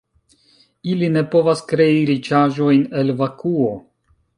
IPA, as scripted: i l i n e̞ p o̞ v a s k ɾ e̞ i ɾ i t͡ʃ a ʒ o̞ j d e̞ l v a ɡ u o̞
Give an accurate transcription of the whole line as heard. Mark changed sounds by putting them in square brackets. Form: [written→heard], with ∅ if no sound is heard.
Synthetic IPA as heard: i l i n e̞ p o̞ v a s k ɾ e̞ i ɾ i t͡ʃ a ʒ o̞ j [d→n] e̞ l v a [ɡ→k] u o̞